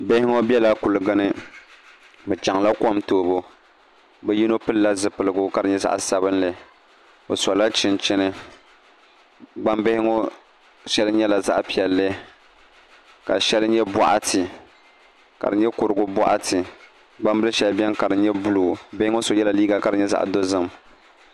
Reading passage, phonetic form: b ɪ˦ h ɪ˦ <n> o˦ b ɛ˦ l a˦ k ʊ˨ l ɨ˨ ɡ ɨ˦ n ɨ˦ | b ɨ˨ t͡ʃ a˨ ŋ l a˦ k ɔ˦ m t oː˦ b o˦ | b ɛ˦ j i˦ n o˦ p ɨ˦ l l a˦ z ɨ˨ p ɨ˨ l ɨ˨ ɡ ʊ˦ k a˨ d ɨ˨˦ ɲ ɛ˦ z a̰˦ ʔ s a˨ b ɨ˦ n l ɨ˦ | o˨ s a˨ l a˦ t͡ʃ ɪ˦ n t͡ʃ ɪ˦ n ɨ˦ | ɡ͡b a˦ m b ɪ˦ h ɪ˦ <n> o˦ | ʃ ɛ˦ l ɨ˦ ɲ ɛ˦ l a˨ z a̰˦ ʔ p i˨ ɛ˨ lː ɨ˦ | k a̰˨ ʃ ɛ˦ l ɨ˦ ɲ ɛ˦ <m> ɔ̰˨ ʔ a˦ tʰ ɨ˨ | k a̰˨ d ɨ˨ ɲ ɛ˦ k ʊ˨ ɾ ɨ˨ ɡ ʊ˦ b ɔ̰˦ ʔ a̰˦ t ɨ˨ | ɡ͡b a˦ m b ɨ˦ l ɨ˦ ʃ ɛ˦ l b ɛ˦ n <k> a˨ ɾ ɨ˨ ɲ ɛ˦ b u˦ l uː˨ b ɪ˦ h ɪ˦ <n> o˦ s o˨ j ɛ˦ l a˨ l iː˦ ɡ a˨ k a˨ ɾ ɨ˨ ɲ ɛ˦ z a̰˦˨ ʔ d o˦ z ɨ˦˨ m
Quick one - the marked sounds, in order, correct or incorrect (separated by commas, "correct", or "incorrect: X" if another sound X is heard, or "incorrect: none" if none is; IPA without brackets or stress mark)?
incorrect: ŋ, incorrect: ŋ, incorrect: b, correct, incorrect: ŋ